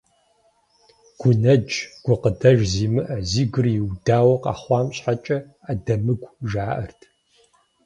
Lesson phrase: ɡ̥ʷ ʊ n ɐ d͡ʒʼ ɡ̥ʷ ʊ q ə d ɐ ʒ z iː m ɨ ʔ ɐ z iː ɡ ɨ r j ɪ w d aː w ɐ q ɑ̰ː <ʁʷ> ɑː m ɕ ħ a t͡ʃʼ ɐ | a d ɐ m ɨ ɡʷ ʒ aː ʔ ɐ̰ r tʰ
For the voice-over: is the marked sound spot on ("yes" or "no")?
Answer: no